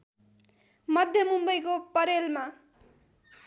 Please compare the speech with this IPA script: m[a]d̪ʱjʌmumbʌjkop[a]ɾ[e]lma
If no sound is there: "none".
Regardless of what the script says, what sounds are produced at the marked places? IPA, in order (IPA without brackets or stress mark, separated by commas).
ʌ, ʌ, e